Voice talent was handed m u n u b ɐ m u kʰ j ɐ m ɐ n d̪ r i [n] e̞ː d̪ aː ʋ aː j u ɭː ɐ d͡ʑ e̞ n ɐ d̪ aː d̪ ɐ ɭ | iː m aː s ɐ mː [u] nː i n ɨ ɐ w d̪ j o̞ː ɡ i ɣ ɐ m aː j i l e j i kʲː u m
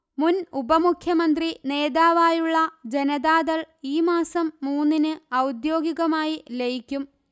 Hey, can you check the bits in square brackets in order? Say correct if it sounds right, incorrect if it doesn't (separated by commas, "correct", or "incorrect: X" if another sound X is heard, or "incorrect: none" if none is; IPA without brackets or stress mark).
correct, incorrect: uː